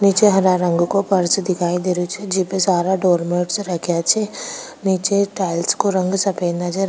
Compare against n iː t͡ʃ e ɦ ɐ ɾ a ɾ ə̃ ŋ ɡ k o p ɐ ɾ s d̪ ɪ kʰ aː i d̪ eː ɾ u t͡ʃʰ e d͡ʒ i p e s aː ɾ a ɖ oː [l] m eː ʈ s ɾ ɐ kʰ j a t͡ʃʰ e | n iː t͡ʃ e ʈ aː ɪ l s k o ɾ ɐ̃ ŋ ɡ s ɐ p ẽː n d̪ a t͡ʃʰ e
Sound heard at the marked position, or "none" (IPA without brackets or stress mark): ɾ